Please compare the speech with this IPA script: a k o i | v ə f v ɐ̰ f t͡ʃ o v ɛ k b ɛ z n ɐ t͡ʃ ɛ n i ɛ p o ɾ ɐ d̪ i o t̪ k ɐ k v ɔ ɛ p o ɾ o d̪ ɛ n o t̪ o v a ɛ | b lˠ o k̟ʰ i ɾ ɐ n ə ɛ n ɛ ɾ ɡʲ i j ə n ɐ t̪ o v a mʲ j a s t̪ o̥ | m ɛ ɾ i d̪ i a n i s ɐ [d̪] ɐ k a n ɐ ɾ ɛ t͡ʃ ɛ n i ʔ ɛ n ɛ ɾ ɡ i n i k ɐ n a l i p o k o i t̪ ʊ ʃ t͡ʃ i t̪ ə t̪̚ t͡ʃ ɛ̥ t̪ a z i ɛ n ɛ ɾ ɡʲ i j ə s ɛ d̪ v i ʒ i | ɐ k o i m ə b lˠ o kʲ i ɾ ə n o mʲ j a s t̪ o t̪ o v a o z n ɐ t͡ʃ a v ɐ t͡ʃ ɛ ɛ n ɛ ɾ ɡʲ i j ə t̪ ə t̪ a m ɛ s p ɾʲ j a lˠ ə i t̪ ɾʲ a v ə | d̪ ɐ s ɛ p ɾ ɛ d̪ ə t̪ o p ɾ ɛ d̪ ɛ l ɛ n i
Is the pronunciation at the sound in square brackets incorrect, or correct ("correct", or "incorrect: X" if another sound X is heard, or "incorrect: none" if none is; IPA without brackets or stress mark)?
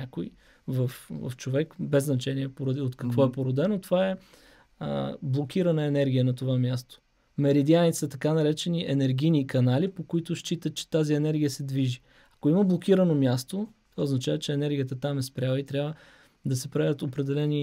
incorrect: t̪